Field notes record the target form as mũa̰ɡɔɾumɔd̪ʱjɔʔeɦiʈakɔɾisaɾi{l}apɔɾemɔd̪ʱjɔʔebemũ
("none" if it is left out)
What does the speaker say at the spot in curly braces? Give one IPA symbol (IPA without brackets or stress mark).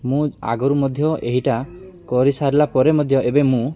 l